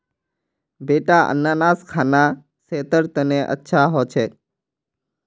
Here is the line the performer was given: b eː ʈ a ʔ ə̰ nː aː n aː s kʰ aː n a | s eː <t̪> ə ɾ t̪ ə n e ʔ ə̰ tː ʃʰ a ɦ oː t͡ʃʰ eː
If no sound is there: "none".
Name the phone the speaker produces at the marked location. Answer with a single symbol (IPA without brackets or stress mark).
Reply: t̪